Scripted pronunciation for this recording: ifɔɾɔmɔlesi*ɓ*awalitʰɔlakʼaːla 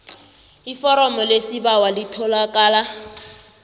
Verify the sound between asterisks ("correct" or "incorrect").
incorrect